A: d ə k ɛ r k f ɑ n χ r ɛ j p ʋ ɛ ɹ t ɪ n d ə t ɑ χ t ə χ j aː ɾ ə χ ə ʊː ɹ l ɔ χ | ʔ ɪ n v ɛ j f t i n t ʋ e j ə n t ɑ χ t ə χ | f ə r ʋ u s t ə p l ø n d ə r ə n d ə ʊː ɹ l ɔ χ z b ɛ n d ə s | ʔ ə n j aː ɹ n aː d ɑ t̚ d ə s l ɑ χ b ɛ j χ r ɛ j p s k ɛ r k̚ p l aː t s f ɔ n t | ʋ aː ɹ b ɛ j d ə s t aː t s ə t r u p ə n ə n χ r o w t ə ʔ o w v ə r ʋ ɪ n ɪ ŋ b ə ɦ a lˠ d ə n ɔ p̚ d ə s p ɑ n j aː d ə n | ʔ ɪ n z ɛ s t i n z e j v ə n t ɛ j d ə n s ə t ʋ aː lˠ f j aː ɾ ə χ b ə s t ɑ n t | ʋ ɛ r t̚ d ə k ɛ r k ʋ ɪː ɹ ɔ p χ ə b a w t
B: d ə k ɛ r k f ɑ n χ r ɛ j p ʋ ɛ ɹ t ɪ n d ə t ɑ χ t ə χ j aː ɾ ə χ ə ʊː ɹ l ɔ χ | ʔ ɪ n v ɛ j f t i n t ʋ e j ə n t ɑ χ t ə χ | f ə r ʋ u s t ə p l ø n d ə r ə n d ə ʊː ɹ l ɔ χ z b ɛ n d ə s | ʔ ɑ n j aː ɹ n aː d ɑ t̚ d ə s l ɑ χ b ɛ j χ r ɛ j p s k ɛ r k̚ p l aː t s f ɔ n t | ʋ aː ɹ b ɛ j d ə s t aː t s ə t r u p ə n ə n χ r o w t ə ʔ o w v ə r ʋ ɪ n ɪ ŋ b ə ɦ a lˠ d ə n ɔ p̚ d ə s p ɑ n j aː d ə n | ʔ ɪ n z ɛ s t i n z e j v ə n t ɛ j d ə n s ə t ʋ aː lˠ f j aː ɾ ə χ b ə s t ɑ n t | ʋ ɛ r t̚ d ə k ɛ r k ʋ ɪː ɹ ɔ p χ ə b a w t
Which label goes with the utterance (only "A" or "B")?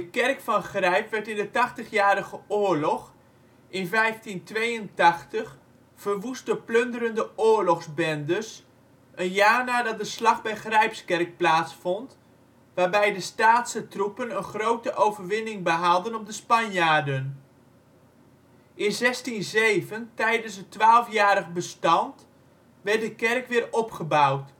A